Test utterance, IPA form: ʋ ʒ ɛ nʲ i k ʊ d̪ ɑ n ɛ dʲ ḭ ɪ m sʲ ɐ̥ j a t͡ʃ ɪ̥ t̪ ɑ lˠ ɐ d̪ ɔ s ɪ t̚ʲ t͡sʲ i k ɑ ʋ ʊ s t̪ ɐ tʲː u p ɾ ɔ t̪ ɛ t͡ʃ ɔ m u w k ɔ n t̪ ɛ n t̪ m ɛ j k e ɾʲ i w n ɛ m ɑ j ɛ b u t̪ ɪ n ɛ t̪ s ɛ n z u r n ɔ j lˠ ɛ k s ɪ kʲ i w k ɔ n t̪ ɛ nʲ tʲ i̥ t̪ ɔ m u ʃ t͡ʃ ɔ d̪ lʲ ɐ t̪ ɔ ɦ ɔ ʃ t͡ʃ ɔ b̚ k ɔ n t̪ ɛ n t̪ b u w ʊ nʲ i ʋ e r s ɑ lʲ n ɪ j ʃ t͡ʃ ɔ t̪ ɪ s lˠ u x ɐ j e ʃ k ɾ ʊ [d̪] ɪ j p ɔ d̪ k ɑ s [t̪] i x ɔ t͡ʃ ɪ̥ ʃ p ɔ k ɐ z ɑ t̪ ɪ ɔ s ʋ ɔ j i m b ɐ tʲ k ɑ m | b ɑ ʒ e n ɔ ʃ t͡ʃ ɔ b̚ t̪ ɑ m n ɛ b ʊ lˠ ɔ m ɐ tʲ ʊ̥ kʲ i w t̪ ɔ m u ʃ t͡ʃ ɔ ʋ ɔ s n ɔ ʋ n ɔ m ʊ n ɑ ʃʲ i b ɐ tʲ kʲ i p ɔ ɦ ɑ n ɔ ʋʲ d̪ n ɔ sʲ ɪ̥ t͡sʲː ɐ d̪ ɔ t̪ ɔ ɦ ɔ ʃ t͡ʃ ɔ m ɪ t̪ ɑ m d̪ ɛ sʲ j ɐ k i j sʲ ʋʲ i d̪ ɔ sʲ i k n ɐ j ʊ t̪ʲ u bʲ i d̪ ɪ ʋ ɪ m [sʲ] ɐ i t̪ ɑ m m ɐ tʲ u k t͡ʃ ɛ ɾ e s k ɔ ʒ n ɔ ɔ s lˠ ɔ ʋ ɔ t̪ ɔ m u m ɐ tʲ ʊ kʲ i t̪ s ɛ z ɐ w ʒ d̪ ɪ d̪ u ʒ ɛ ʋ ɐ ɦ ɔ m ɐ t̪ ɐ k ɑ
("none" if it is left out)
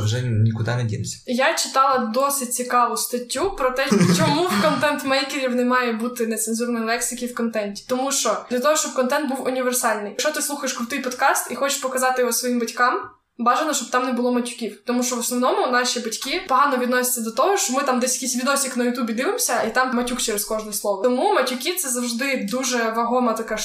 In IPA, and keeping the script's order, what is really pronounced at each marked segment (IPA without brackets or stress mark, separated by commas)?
t̪, t̪, sʲ